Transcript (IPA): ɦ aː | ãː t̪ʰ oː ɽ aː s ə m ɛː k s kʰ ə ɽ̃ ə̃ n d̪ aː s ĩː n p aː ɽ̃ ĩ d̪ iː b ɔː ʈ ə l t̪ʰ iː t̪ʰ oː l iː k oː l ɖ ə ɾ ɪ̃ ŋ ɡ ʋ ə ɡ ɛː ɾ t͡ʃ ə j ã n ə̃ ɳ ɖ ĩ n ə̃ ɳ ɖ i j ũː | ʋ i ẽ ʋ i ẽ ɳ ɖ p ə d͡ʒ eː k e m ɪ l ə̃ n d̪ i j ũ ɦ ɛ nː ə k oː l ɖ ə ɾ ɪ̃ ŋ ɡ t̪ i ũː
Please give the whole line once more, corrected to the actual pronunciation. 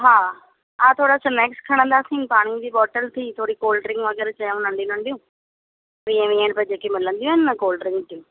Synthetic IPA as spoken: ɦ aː | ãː t̪ʰ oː ɽ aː s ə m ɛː k s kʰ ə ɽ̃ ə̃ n d̪ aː s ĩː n p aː ɽ̃ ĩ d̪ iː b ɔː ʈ ə l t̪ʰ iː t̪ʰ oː ɽ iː k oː l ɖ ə ɾ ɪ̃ ŋ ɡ ʋ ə ɡ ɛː ɾ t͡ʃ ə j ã n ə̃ ɳ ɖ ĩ n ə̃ ɳ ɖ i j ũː | ʋ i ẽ ʋ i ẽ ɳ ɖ p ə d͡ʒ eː k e m ɪ l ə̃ n d̪ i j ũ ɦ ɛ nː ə k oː l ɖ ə ɾ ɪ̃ ŋ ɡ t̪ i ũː